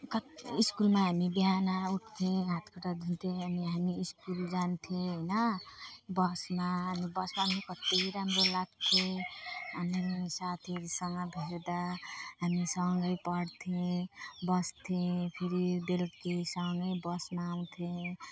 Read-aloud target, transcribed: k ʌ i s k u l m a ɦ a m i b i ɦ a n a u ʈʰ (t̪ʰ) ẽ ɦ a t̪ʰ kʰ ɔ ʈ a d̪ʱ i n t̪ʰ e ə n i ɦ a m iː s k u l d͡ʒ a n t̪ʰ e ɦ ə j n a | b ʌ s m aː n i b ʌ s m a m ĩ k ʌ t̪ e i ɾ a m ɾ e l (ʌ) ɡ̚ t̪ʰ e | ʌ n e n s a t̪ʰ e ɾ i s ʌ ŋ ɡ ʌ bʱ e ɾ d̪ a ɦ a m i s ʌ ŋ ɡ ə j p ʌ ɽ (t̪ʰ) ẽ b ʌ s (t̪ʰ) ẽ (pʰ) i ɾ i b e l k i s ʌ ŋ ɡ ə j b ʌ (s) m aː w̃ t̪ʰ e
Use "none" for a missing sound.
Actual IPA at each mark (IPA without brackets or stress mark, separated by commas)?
t̪ʰ, a, t̪ʰ, t̪ʰ, pʰ, s